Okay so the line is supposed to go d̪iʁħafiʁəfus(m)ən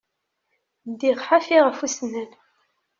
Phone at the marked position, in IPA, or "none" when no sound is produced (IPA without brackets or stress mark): n